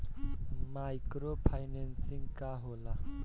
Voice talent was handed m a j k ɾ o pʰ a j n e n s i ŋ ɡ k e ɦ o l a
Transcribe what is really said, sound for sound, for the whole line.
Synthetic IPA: m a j k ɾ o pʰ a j n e n s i ŋ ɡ k a ɦ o l a